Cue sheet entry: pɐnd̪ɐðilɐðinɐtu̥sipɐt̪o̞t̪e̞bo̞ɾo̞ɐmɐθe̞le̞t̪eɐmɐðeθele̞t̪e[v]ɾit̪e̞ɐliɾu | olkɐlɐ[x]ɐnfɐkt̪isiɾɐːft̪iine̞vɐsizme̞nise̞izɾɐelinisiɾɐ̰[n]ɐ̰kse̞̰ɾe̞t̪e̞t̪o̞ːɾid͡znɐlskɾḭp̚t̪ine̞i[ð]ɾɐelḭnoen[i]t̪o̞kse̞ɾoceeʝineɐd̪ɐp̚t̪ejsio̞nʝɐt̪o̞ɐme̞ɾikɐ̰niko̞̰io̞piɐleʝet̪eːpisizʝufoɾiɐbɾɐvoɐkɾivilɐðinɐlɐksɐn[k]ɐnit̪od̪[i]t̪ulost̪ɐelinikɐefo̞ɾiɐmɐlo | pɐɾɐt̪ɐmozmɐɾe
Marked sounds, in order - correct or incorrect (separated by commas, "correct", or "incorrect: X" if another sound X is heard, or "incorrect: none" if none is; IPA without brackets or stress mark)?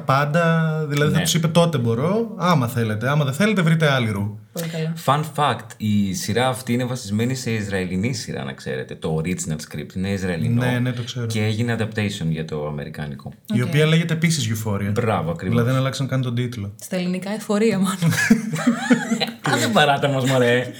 correct, incorrect: f, correct, incorrect: z, incorrect: e, correct, correct